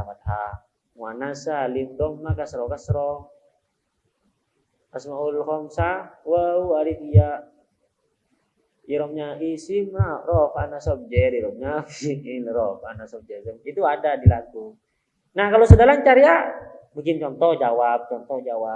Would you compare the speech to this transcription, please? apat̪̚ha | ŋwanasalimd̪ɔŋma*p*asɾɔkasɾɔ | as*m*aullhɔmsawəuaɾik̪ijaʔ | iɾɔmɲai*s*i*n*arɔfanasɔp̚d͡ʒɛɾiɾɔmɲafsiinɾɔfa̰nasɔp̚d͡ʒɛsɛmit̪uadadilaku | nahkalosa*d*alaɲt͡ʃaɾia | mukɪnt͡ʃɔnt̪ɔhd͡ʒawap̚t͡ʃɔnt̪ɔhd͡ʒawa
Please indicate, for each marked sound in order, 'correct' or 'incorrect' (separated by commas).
incorrect, correct, correct, incorrect, correct